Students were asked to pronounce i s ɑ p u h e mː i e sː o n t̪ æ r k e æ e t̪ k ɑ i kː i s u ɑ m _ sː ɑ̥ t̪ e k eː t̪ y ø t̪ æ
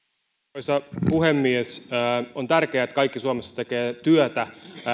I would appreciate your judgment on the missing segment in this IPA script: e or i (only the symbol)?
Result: e